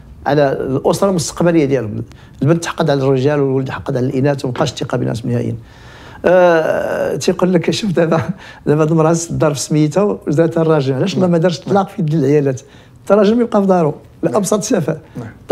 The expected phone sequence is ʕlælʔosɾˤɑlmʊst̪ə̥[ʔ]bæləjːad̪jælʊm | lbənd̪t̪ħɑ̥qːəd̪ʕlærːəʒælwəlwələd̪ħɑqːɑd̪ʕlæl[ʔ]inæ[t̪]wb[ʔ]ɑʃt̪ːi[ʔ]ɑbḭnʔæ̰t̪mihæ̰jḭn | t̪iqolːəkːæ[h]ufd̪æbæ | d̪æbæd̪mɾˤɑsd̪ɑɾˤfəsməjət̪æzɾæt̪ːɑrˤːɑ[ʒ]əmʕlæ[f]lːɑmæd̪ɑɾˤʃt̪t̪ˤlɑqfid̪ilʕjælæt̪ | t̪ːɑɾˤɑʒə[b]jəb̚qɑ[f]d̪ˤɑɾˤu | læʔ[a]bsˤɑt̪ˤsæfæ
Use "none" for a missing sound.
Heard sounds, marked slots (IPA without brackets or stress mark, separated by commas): q, ʔ, t̪, q, q, ʃ, ʒ, ʃ, m, f, ɑ